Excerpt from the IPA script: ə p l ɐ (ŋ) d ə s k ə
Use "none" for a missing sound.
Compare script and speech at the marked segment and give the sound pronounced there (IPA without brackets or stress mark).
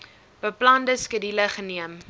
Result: n